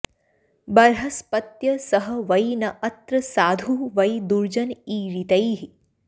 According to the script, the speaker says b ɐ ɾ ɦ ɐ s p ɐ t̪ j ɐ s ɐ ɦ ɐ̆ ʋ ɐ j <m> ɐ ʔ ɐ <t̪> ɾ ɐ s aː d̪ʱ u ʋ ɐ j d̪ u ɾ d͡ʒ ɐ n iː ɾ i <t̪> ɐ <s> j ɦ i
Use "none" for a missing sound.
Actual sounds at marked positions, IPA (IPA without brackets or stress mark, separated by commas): n, t̪, t̪, none